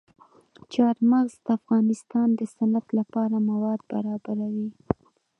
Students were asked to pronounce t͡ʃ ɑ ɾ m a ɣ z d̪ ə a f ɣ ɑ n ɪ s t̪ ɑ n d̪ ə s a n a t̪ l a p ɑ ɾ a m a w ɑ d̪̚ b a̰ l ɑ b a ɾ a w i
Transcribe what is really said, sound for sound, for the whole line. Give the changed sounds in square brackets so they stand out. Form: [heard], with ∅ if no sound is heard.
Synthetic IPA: t͡ʃ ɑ ɾ m a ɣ z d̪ ə a f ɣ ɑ n ɪ s t̪ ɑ n d̪ ə s a n a t̪ l a p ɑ ɾ a m a w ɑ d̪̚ b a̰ [ɾ] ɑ b a ɾ a w i

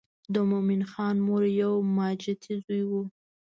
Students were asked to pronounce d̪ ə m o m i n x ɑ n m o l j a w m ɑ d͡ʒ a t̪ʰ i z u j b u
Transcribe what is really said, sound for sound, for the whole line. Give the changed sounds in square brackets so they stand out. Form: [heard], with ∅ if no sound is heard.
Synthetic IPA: d̪ ə m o m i n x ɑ n m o [ɾ] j a w m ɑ d͡ʒ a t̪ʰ i z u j [w] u

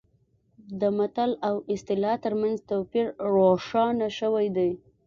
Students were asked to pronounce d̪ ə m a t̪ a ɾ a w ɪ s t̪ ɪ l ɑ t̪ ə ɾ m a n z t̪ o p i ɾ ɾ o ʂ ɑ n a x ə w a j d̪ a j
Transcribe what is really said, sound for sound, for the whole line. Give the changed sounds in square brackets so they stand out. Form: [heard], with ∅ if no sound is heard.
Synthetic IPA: d̪ ə m a t̪ a [l] a w ɪ s t̪ ɪ l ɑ t̪ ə ɾ m a n z t̪ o p i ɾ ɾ o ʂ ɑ n a [ʃ] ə w a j d̪ a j

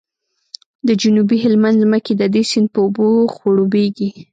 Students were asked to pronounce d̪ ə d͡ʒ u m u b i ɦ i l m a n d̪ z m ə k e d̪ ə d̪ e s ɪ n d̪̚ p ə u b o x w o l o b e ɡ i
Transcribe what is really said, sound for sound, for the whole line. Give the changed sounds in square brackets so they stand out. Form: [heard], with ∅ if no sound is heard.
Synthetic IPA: d̪ ə d͡ʒ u [n] u b i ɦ [ɪ] l m a n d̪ z m ə k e d̪ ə d̪ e s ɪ n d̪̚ p ə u b o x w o [ɽ] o b e ɡ i

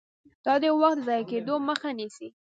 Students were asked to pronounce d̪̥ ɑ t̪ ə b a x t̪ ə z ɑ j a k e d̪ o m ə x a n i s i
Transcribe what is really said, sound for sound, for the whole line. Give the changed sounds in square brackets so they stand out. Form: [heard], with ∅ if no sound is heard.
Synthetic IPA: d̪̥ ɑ [d̪] ə [w] a x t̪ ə z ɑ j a k e d̪ o m ə x a n i s i

